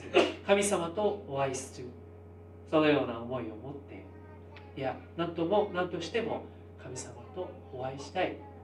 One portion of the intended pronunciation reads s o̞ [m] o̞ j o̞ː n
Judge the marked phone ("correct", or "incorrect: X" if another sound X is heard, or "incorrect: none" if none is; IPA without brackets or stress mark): incorrect: n